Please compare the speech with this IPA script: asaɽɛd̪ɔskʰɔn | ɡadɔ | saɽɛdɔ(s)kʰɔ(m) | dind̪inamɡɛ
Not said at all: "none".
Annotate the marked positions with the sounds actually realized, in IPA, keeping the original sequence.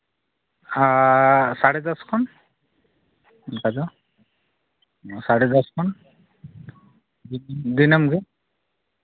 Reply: s, n

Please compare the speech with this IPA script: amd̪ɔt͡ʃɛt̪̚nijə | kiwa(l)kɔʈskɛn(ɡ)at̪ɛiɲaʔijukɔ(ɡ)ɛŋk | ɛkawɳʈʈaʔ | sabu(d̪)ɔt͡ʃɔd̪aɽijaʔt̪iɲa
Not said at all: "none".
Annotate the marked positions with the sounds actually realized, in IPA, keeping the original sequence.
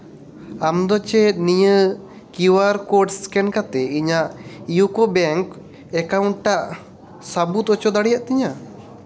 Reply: ɾ, k, b, t̪

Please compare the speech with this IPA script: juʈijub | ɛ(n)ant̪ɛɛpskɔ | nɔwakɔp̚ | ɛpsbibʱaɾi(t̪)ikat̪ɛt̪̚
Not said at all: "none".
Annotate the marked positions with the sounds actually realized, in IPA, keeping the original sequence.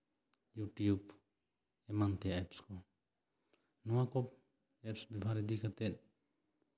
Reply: m, d̪

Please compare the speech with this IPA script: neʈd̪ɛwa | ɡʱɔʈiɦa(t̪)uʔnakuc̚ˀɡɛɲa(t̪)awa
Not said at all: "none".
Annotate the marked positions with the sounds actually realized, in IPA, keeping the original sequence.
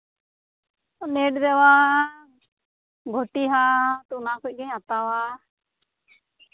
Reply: t̪, t̪

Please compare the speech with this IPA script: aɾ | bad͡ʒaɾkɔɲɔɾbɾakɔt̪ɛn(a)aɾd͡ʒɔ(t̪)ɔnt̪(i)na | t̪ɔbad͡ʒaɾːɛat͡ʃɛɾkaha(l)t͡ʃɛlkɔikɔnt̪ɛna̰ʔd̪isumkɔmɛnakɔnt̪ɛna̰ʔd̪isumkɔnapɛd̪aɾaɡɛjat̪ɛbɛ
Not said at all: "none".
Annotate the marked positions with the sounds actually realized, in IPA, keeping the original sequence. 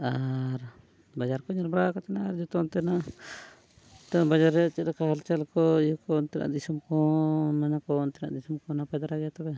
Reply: a, t̪, ɛ, l

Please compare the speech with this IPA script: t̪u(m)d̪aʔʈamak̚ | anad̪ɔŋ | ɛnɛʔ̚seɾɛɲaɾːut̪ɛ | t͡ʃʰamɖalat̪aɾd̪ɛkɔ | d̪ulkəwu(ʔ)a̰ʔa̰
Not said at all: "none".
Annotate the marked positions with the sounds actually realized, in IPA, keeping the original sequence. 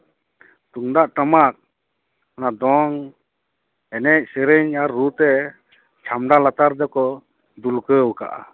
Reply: ŋ, k

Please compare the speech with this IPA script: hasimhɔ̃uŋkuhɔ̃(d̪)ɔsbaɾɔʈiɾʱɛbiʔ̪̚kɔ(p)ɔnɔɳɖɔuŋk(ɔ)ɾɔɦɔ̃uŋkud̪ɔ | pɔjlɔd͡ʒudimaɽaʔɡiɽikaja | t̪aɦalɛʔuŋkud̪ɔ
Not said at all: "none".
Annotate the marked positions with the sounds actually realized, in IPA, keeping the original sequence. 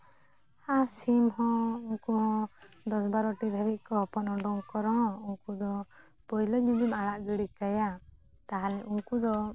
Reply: d̪, p, ɔ

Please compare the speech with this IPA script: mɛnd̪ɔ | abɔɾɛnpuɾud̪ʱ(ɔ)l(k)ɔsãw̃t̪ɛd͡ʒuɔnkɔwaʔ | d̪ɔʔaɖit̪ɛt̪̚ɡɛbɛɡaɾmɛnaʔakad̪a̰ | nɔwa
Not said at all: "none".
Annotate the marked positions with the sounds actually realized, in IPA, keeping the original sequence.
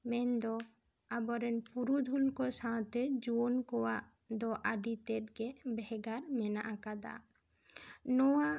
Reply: u, k

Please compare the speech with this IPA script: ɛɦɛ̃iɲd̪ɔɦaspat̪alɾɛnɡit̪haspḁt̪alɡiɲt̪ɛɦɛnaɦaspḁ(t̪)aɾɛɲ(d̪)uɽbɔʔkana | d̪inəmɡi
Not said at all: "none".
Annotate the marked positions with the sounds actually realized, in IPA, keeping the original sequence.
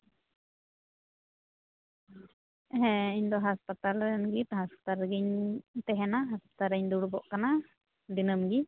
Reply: t̪, d̪

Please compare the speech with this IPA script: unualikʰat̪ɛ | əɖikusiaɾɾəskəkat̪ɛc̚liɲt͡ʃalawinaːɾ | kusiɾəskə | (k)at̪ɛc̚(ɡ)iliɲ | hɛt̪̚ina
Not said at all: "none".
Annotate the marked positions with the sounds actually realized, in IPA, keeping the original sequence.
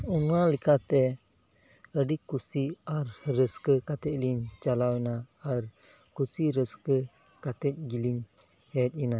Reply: k, ɡ

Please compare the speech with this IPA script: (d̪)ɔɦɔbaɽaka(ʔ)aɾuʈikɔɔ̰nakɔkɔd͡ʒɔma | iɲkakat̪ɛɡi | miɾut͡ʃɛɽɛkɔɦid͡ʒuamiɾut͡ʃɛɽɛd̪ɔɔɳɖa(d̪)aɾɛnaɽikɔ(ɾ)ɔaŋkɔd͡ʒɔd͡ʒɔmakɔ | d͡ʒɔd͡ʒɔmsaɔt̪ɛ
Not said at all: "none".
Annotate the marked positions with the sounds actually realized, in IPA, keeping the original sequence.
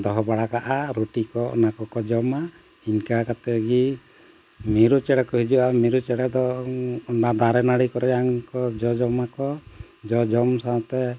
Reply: d̪, ʔ, d̪, ɾ

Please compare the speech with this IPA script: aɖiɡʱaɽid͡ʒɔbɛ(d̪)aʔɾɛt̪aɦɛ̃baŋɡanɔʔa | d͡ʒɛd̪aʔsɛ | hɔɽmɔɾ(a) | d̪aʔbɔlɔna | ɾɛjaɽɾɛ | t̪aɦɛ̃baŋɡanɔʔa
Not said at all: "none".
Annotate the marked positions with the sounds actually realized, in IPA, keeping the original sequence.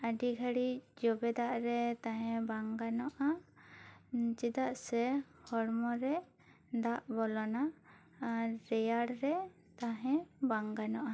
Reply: d̪, ɛ

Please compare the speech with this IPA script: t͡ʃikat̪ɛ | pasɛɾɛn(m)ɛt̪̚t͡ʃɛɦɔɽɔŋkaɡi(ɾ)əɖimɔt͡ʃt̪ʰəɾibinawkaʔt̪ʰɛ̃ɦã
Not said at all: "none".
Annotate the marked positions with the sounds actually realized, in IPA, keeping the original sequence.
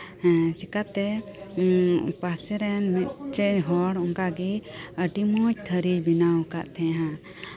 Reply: m, none

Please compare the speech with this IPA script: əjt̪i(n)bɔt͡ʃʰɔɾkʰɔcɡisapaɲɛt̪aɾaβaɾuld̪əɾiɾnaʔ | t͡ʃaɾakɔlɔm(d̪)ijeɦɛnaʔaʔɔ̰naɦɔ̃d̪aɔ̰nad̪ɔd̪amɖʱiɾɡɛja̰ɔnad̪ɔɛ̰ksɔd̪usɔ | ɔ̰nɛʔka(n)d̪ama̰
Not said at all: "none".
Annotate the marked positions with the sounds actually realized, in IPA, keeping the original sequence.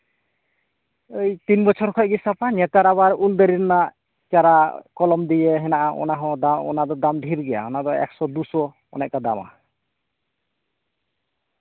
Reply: n, d̪, none

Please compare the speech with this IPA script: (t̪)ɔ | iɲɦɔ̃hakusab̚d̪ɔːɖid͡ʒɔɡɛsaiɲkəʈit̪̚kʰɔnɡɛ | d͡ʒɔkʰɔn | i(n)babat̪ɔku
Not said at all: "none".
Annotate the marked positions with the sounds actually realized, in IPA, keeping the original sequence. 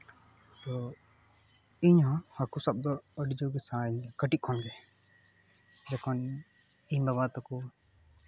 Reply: t̪, ɲ

